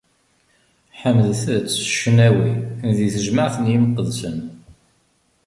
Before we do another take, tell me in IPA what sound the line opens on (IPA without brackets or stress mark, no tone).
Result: ħ